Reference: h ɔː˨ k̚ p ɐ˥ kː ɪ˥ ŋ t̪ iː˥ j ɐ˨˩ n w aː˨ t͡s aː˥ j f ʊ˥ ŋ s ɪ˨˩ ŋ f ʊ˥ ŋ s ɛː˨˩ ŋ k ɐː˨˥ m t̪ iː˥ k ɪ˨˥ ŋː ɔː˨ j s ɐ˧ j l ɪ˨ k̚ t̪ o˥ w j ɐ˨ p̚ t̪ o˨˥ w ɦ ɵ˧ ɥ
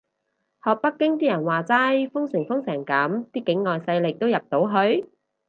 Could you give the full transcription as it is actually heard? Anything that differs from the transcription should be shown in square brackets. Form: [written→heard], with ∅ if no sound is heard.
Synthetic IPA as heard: h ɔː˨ k̚ p ɐ˥ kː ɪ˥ ŋ t̪ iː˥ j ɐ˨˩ n w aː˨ t͡s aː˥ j f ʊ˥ ŋ s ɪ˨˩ ŋ f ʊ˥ ŋ s ɛː˨˩ ŋ k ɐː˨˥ m t̪ iː˥ k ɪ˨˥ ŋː ɔː˨ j s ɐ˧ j l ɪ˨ k̚ t̪ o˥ w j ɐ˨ p̚ t̪ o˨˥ w ɦ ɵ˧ ɥ